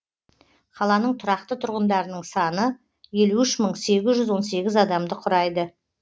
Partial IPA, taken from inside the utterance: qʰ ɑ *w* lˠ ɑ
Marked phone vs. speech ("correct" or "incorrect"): incorrect